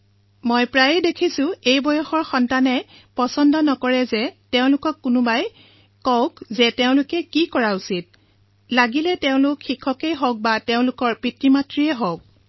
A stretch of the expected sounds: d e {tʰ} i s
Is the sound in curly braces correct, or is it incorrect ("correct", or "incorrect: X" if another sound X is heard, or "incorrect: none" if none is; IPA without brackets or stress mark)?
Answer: incorrect: kʰ